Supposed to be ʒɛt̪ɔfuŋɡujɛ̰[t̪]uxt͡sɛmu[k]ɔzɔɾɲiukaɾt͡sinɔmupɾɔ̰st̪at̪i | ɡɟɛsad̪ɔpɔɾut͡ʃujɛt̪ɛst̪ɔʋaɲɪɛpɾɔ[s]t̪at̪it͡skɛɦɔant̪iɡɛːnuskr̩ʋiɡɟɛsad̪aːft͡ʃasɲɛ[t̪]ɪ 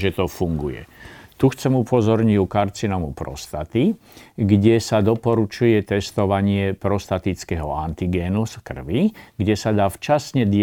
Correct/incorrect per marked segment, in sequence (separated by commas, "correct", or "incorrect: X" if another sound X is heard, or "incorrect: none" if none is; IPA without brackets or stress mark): correct, incorrect: p, correct, incorrect: d̪